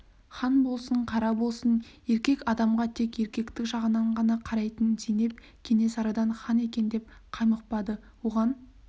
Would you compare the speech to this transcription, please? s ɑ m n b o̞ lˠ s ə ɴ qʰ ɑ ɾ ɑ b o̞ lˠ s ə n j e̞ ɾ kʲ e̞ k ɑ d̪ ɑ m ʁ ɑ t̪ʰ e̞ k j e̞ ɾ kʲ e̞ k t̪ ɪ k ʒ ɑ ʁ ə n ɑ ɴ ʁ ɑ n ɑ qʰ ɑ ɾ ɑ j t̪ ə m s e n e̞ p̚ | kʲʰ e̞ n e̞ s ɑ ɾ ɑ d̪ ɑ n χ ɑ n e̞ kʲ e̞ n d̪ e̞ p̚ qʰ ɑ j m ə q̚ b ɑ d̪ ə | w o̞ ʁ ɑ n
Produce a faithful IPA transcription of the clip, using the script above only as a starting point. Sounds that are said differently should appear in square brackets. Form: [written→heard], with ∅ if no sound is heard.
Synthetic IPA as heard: [s→χ] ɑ [m→∅] n b o̞ lˠ s ə ɴ qʰ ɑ ɾ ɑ b o̞ lˠ s ə n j e̞ ɾ kʲ e̞ k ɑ d̪ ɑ m ʁ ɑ t̪ʰ e̞ k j e̞ ɾ kʲ e̞ k t̪ ɪ k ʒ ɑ ʁ ə n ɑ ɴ ʁ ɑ n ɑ qʰ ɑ ɾ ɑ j t̪ ə [m→n] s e n e̞ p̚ | kʲʰ e̞ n e̞ s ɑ ɾ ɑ d̪ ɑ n χ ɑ n e̞ kʲ e̞ n d̪ e̞ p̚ qʰ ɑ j m ə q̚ [b→p] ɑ d̪ ə | w o̞ ʁ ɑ n

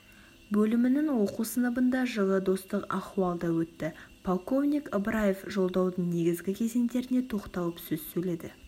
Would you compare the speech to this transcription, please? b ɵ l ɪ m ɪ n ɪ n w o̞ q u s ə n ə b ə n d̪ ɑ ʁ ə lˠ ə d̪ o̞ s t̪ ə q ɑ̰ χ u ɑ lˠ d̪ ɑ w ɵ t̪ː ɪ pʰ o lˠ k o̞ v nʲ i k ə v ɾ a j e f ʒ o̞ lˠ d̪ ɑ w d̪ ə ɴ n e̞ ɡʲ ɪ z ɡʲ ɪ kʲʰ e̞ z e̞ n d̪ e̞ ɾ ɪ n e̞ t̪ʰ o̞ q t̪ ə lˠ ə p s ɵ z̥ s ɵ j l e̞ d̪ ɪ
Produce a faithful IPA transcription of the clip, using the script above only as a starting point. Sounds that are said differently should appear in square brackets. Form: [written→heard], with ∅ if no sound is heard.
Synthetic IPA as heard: b ɵ l ɪ m ɪ n ɪ [n→ŋ] w o̞ q u s ə n ə b ə n d̪ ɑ [ʁ→ʒ] ə lˠ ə d̪ o̞ s t̪ ə q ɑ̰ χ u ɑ lˠ d̪ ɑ w ɵ t̪ː ɪ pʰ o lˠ k o̞ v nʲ i k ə [v→b] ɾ a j e f ʒ o̞ lˠ d̪ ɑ w d̪ ə ɴ n e̞ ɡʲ ɪ z ɡʲ ɪ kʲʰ e̞ z e̞ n d̪ e̞ ɾ ɪ n e̞ t̪ʰ o̞ q t̪ [ə→ɑ] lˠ ə p s ɵ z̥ s ɵ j l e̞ d̪ ɪ

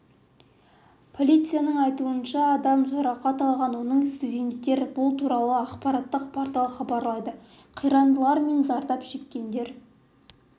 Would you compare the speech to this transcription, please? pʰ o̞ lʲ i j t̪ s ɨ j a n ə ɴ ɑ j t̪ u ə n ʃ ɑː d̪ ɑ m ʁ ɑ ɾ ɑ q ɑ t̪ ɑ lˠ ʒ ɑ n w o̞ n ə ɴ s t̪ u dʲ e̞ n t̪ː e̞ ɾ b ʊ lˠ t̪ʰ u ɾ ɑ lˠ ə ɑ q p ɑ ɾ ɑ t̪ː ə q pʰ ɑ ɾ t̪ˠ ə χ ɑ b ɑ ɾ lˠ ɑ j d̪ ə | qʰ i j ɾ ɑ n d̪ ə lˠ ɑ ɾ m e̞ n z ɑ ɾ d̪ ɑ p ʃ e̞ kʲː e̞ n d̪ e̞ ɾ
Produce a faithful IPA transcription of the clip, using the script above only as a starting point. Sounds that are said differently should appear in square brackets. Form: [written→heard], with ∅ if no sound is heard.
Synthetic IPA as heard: pʰ o̞ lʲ i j t̪ s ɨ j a n ə ɴ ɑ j t̪ u ə n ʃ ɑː d̪ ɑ m [ʁ→ʒ] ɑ ɾ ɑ q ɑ t̪ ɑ lˠ [ʒ→ʁ] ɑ n w o̞ n ə ɴ s t̪ u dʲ e̞ n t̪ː e̞ ɾ b ʊ lˠ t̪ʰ u ɾ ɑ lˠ ə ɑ q p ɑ ɾ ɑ t̪ː ə q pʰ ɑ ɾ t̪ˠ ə χ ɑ b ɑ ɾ lˠ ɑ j d̪ ə | qʰ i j ɾ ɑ n d̪ ə lˠ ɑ ɾ m e̞ n z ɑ ɾ d̪ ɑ p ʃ e̞ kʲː e̞ n d̪ e̞ ɾ

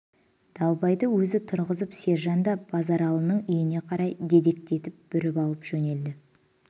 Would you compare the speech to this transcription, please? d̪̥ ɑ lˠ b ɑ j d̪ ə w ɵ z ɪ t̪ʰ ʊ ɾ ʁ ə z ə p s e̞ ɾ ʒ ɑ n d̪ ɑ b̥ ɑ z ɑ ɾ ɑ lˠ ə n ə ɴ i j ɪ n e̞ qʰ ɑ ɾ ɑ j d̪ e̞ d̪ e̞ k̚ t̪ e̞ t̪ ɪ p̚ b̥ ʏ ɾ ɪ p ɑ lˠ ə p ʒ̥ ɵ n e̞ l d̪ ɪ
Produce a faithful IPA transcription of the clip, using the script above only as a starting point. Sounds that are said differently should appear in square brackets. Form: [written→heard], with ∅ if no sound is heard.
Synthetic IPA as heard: d̪̥ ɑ lˠ b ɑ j d̪ ə w ɵ z ɪ t̪ʰ ʊ ɾ ʁ ə z ə p s e̞ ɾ ʒ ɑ n d̪ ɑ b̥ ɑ z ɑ ɾ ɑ lˠ ə n ə ɴ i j ɪ n e̞ qʰ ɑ ɾ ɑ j d̪ e̞ d̪ e̞ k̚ t̪ e̞ t̪ ɪ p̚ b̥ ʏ ɾ ɪ p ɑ lˠ ə p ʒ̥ ɵ n e̞ l d̪ ɪ

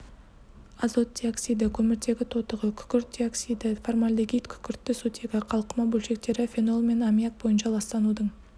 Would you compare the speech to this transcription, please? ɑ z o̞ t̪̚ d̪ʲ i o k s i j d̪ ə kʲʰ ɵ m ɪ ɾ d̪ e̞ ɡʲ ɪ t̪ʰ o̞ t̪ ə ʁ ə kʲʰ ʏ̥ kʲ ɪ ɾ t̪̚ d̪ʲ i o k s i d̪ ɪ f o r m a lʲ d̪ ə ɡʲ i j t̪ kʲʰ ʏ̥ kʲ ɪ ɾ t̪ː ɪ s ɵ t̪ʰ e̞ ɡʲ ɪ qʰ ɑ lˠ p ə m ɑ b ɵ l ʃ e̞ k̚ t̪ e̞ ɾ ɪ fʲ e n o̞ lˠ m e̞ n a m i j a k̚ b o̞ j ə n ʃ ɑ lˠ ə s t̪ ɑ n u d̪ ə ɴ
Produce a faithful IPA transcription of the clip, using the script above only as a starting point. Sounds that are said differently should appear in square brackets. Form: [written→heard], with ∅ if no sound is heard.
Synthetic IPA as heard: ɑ z o̞ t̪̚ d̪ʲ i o k s i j d̪ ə kʲʰ ɵ m ɪ ɾ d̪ e̞ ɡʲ ɪ t̪ʰ o̞ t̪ ə ʁ ə kʲʰ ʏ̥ kʲ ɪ ɾ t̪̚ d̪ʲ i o k s i d̪ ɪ f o r m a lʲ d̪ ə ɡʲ i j t̪ kʲʰ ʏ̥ kʲ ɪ ɾ t̪ː ɪ s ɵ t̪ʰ e̞ ɡʲ ɪ qʰ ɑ lˠ [p→q] ə m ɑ b ɵ l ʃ e̞ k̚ t̪ e̞ ɾ ɪ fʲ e n o̞ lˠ m e̞ n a m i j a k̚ b o̞ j ə n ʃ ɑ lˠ [ə→ɑ] s t̪ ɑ n u d̪ ə ɴ

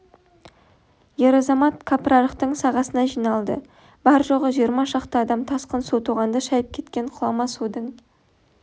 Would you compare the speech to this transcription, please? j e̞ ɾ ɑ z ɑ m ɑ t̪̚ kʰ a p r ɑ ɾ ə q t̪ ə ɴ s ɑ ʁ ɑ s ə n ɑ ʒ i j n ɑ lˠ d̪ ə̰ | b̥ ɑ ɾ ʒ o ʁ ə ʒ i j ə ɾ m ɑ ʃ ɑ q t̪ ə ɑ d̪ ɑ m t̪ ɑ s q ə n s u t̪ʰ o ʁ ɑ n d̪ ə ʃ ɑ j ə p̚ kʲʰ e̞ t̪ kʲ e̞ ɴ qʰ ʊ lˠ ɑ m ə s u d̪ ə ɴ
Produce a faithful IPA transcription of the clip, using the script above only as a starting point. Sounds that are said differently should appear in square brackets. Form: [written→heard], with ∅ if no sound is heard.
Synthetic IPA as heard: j e̞ ɾ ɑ z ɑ m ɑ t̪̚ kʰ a p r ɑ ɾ ə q t̪ ə ɴ s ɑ ʁ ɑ s ə n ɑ ʒ i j n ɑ lˠ d̪ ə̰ | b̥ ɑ ɾ ʒ o ʁ ə ʒ i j ə ɾ m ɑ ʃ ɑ q t̪ ə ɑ d̪ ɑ m [t̪→t̪ʰ] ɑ s q ə n s u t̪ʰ [o→u] ʁ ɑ n d̪ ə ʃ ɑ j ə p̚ kʲʰ e̞ t̪ kʲ e̞ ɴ qʰ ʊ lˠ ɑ m [ə→ɑ] s u d̪ ə ɴ

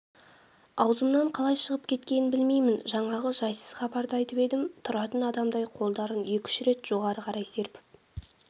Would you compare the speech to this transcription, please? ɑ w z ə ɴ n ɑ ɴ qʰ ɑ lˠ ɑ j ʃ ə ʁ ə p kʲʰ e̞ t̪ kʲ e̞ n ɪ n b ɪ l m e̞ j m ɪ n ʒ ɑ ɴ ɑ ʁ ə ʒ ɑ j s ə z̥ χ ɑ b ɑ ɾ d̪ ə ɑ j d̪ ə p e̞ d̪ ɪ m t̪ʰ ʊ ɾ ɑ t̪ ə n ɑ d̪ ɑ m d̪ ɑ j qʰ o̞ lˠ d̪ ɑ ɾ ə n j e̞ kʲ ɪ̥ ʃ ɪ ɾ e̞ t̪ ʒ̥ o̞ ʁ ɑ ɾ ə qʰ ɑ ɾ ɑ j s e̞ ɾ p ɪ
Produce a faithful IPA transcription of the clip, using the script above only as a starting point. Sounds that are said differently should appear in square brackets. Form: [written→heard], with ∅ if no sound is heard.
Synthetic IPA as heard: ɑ w z ə [ɴ→m] n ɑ ɴ qʰ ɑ lˠ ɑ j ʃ ə ʁ ə p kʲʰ e̞ t̪ kʲ e̞ n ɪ n b ɪ l m e̞ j m ɪ n ʒ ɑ ɴ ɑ ʁ ə ʒ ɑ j s ə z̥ χ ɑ b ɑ ɾ d̪ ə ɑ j [d̪→t̪] ə p e̞ d̪ ɪ m t̪ʰ ʊ ɾ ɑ t̪ ə n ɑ d̪ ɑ m d̪ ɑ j qʰ o̞ lˠ d̪ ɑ ɾ ə n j e̞ kʲ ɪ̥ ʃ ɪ ɾ e̞ t̪ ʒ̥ o̞ ʁ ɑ ɾ ə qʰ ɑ ɾ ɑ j s e̞ ɾ p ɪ

